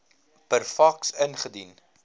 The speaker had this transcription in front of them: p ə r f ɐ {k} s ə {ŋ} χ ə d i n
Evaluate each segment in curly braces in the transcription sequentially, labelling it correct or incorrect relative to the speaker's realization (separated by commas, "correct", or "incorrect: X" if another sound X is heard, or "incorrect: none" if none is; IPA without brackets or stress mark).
correct, incorrect: n